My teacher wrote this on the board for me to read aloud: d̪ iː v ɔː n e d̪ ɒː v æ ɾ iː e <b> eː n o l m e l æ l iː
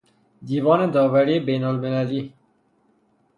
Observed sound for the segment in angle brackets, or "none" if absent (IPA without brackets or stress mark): b